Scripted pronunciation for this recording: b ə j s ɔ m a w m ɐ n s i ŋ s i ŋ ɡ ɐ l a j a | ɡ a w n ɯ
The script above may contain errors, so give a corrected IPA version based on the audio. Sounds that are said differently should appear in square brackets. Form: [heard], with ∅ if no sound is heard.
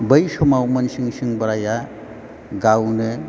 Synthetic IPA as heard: b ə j s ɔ m a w m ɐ n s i ŋ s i ŋ [b] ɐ [ɾ] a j a | ɡ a w n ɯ